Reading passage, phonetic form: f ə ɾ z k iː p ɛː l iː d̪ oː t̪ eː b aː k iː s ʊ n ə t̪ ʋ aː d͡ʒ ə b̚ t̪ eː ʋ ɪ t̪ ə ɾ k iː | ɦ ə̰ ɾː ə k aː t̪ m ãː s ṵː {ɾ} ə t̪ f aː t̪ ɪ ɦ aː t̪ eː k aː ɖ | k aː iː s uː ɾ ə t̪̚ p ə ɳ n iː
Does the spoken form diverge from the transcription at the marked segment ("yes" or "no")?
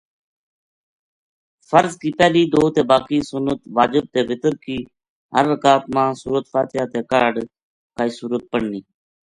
no